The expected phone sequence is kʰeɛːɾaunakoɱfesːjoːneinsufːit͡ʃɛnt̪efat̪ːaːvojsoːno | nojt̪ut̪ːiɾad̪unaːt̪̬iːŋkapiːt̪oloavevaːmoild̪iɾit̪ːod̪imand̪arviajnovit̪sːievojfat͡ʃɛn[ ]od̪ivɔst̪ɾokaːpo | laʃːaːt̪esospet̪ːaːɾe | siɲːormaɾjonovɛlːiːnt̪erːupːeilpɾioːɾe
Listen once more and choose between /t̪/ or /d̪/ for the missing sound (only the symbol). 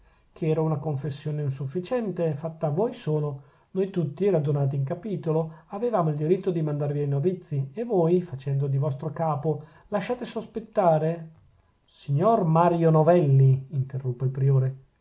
d̪